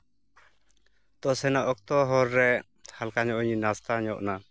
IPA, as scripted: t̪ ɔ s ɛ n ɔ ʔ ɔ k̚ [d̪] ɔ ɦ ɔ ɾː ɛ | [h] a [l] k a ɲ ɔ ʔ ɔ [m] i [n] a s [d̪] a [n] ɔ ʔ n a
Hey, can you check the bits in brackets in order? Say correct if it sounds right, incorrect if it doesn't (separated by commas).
incorrect, correct, correct, incorrect, correct, incorrect, incorrect